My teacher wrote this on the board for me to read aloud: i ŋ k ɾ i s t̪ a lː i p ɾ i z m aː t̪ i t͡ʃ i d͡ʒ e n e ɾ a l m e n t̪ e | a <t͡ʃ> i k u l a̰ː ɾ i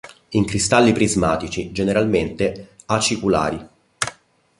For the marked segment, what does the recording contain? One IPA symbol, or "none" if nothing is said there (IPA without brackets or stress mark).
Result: t͡ʃ